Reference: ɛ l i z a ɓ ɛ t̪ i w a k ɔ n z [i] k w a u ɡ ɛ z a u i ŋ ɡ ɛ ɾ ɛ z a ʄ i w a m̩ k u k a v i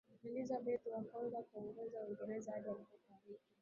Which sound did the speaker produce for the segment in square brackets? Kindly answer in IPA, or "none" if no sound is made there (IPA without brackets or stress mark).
a